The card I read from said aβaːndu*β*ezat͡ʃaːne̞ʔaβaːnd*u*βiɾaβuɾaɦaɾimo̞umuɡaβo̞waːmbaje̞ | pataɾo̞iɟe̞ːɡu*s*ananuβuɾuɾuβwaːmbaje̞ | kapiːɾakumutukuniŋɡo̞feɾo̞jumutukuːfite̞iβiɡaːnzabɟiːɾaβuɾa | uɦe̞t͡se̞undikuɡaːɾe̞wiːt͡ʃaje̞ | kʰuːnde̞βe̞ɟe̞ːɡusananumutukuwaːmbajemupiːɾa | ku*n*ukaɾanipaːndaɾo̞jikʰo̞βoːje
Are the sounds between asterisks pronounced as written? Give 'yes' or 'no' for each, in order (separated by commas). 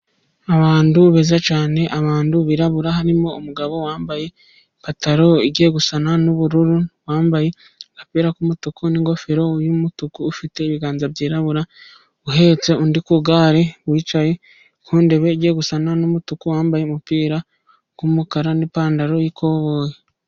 yes, yes, yes, no